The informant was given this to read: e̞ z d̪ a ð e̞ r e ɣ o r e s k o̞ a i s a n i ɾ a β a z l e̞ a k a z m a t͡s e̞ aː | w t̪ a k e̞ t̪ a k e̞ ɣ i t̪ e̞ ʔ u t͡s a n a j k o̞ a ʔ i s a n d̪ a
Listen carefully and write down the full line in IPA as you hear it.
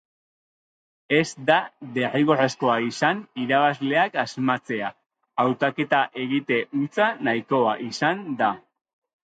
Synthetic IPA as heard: e̞ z d̪ a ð e̞ r i ɣ o r e s k o̞ a i s a n i ɾ a β a z l e̞ a k a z m a t͡s e̞ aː | w t̪ a k e̞ t̪ a ʔ e̞ ɣ i t̪ e̞ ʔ u t͡s a n a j k o̞ a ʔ i s a n d̪ a